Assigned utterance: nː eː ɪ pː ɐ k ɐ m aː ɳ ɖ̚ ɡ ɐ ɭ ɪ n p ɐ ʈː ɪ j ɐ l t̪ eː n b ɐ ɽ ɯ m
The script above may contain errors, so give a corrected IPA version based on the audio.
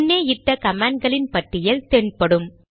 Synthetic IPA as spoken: nː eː ɪ ʈː ɐ k ɐ m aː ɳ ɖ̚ ɡ ɐ ɭ ɪ n p ɐ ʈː ɪ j ɐ l t̪ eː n p ɐ ɽ ɯ m

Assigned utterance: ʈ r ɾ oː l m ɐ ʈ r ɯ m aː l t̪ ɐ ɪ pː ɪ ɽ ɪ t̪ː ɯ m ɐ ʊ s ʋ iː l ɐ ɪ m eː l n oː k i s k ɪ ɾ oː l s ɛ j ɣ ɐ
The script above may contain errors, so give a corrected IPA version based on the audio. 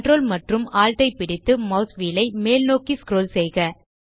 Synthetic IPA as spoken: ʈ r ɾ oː l m ɐ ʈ r ɯ m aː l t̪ ɐ ɪ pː ɪ ɽ ɪ t̪ː ɯ m ɐ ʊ s ʋ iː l ɐ ɪ m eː l n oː k i s k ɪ ɾ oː l s ɛ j ɣ ɐ

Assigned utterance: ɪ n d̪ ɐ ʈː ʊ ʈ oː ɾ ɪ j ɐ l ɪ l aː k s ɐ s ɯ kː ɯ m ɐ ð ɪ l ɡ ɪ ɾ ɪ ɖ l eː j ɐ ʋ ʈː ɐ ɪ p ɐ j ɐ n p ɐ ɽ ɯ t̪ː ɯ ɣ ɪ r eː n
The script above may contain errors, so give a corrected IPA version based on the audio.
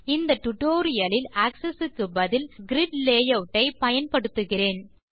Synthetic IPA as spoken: ɪ n d̪ ɐ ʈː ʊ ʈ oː ɾ ɪ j ɐ l ɪ l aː k s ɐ s ɯ kː ɯ b ɐ ð ɪ l ɡ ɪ ɾ ɪ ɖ l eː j ɐ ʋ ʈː ɐ ɪ p ɐ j ɐ n p ɐ ɽ ɯ t̪ː ɯ ɣ ɪ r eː n

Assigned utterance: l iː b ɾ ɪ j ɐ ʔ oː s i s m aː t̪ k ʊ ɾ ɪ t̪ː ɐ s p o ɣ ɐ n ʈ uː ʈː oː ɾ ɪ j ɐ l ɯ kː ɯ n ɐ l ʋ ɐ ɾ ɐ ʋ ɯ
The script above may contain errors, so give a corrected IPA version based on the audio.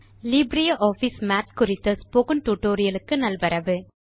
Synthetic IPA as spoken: l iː b ɾ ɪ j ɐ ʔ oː f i s m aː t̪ k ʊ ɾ ɪ t̪ː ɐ s p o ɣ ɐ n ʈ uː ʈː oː ɾ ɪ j ɐ l ɯ kː ɯ n ɐ l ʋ ɐ ɾ ɐ ʋ ɯ

